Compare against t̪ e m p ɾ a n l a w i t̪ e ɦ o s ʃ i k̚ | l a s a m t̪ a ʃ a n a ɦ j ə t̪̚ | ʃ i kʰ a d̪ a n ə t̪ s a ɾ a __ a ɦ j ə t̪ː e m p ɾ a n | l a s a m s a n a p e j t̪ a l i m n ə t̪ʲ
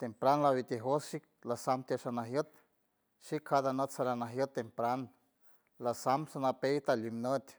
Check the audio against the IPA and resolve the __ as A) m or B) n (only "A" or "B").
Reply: B